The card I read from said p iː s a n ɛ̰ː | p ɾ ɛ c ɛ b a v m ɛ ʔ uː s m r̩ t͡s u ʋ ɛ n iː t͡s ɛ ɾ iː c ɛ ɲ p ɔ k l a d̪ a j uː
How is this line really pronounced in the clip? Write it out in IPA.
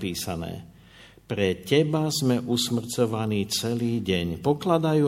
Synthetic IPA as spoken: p iː s a n ɛ̰ː | p ɾ ɛ c ɛ b a z m ɛ ʔ u s m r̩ t͡s ɔ ʋ a n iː t͡s ɛ l iː ɟ ɛ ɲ p ɔ k l a d̪ a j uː